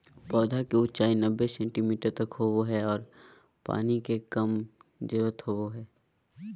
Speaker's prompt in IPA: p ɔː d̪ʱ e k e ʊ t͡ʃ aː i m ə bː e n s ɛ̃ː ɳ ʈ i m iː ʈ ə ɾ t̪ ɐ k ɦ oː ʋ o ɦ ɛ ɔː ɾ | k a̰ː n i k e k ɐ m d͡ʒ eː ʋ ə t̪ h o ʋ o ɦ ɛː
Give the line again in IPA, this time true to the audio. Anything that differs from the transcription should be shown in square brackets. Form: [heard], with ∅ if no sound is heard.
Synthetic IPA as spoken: p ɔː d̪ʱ [a] k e ʊ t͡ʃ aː i [n] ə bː e [∅] s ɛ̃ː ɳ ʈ i m iː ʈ ə ɾ t̪ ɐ k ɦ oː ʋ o ɦ ɛ ɔː ɾ | [p] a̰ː n i k e k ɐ m d͡ʒ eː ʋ ə t̪ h o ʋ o ɦ ɛː